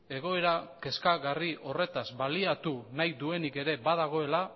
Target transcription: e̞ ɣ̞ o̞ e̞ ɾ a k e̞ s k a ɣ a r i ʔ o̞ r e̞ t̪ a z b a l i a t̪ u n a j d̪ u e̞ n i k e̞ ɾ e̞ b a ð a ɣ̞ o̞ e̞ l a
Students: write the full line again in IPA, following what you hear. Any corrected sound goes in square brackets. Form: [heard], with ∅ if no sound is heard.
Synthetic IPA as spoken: e̞ ɣ̞ o̞ e̞ ɾ a k e̞ s k a ɣ a r i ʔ o̞ r e̞ t̪ a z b a l i a t̪ u n a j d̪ u e̞ n i k e̞ ɾ e̞ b a ð a ɣ̞ o̞ e̞ l a